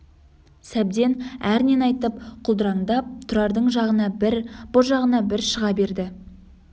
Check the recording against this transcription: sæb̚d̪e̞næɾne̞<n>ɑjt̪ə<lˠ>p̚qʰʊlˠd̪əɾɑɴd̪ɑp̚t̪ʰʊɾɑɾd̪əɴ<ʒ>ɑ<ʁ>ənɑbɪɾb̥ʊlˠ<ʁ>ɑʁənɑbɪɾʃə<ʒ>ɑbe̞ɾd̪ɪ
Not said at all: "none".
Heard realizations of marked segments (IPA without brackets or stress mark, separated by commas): n, none, ʒ, ʁ, ʒ, ʁ